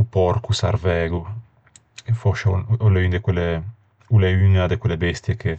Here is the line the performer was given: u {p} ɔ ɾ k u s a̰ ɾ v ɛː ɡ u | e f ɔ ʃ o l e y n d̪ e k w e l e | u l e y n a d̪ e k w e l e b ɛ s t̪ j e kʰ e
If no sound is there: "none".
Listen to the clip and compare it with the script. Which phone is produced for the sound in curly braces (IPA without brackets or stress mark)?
p